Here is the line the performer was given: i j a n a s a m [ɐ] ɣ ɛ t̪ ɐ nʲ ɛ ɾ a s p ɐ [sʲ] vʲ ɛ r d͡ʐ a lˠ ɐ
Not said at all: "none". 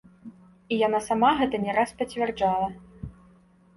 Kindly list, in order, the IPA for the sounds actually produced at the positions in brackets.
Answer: a, t͡sʲ

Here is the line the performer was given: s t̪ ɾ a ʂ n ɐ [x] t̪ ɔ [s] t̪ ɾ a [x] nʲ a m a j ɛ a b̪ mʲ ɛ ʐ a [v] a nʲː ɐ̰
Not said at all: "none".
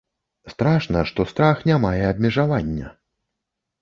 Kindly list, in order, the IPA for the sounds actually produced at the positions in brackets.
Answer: ʂ, s, x, v

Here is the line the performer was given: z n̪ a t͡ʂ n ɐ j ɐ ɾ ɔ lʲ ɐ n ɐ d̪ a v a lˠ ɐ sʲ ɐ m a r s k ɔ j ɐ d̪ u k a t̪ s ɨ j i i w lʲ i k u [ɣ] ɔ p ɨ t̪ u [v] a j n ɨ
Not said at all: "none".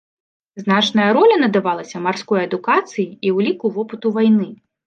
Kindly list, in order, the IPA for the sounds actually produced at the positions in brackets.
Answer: v, v

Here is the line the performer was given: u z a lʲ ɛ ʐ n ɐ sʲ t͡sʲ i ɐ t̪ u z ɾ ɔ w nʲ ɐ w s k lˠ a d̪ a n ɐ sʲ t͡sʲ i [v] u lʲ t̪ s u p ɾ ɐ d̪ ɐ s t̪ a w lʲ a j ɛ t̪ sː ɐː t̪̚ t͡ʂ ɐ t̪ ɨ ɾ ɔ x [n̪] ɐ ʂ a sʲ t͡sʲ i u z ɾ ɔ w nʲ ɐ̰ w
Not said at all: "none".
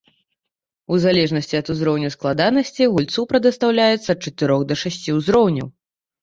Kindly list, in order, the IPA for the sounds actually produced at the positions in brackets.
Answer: ɣ, d̪

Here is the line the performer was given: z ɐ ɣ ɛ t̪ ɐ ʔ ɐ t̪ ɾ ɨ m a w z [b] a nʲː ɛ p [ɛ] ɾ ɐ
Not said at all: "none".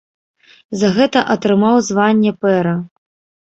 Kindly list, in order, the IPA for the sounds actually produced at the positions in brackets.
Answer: v, ɛ

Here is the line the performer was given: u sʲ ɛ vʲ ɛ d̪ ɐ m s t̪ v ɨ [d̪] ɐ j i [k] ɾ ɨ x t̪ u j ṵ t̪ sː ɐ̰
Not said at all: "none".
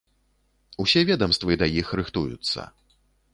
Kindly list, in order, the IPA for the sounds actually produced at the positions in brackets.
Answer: d̪, x

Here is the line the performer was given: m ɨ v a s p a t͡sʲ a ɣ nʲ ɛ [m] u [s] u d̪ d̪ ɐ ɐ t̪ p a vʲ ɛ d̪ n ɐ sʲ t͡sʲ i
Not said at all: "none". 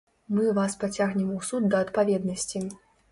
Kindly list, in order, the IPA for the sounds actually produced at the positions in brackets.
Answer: m, s

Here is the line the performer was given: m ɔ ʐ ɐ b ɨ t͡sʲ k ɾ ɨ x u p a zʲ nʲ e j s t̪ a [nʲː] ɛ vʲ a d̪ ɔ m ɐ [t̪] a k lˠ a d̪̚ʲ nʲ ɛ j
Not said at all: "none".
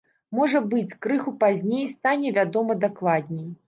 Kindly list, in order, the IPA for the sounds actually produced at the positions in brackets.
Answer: nʲ, d̪

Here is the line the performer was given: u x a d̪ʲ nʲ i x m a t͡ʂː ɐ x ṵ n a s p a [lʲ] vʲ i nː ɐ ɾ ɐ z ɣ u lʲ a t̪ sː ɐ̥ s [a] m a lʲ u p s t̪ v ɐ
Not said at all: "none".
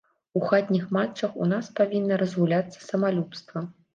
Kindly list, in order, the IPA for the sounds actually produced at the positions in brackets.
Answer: none, ɐ

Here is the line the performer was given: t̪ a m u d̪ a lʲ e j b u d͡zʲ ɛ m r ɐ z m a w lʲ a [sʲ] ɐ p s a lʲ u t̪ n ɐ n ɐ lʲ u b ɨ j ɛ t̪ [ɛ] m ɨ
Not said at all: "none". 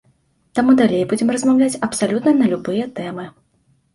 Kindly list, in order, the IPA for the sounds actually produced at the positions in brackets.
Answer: t͡sʲ, ɛ

